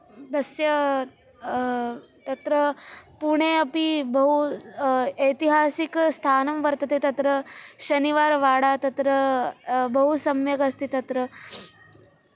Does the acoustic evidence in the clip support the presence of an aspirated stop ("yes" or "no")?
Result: yes